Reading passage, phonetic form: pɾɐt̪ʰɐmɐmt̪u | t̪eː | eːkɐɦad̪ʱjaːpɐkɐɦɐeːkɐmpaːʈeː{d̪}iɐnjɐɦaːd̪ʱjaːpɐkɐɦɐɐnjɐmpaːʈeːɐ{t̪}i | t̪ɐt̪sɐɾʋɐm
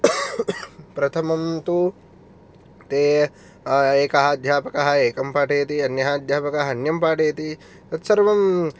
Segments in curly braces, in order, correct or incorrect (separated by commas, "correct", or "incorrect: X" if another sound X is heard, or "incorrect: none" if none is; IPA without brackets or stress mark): incorrect: t̪, correct